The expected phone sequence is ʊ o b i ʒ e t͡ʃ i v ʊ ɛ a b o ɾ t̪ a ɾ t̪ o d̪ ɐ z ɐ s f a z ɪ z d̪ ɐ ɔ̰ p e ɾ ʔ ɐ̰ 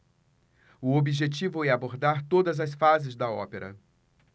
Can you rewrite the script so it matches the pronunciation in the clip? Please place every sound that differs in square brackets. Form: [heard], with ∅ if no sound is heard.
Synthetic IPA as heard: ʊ o b i ʒ e t͡ʃ i v ʊ ɛ a b o ɾ [d̪] a ɾ t̪ o d̪ ɐ z ɐ s f a z ɪ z d̪ ɐ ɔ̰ p e ɾ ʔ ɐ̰